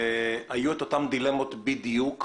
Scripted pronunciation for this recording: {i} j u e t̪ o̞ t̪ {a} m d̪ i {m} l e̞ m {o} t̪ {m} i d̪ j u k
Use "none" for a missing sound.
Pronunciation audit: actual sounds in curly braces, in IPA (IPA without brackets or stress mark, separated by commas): a, a, none, o, b